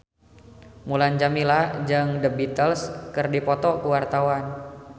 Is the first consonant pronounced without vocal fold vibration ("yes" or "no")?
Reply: no